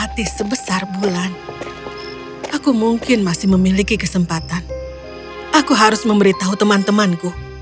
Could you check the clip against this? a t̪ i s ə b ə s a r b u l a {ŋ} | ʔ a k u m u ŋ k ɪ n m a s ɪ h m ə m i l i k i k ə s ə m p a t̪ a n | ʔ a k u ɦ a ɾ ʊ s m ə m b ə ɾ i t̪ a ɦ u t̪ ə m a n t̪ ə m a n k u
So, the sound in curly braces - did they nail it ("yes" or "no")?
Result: no